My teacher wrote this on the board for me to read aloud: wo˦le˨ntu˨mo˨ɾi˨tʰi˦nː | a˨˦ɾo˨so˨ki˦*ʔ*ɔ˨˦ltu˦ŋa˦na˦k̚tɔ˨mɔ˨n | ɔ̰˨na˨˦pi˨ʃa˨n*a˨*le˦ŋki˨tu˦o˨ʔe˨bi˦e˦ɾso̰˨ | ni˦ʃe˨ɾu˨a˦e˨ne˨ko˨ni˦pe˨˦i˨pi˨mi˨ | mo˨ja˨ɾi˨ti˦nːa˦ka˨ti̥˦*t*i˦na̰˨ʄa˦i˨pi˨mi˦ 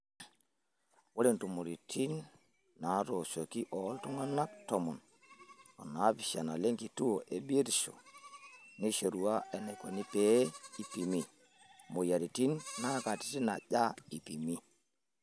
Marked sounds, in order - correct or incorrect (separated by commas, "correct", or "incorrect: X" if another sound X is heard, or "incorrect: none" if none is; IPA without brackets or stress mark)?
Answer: correct, correct, correct